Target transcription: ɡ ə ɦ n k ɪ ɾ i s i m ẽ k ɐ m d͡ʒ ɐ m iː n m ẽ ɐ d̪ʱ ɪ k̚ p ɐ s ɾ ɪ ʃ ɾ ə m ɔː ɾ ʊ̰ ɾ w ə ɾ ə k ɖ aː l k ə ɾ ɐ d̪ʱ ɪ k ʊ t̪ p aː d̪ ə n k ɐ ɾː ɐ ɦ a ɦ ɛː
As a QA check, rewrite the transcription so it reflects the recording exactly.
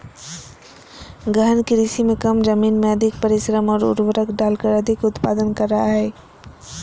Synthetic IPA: ɡ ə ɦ n k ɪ ɾ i s i m ẽ k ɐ m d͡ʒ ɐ m iː n m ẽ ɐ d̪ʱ ɪ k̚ p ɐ ɾ ɪ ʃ ɾ ə m ɔː ɾ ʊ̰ ɾ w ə ɾ ə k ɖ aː l k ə ɾ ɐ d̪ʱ ɪ k ʊ t̪ p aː d̪ ə n k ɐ ɾː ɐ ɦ a ɦ ɛː